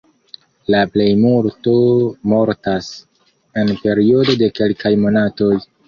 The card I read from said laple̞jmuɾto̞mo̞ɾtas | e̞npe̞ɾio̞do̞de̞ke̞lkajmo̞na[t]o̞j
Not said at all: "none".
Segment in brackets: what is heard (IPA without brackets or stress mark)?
t